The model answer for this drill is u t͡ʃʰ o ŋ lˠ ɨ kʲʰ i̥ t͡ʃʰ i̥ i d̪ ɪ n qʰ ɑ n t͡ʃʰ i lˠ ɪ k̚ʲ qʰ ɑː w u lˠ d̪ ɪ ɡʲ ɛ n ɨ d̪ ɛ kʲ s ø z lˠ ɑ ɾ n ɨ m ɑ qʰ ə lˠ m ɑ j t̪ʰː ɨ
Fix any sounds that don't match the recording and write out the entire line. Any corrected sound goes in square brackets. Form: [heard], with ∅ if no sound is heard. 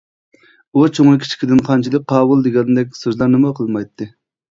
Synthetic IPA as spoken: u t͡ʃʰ o ŋ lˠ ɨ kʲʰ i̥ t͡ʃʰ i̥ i d̪ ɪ n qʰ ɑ n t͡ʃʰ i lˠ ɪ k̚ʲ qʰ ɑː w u lˠ d̪ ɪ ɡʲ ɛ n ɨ d̪ ɛ kʲ s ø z lˠ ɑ ɾ n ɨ m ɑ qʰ ə lˠ m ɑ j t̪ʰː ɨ